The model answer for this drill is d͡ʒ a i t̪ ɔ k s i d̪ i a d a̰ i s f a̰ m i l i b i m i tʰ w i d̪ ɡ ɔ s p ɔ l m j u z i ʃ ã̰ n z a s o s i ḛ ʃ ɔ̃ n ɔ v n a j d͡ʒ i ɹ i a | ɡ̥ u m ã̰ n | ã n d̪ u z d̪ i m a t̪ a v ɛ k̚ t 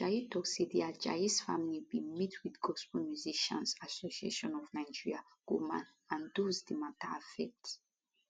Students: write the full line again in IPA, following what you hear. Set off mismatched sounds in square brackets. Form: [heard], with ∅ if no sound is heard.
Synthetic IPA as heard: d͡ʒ a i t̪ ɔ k s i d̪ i a [d͡ʒ] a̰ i s f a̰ m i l i b i m i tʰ w i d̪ ɡ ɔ s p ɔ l m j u z i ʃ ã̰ n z a s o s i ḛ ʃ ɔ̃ n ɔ v n a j d͡ʒ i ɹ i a | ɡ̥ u m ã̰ n | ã n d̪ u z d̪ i m a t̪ a [f] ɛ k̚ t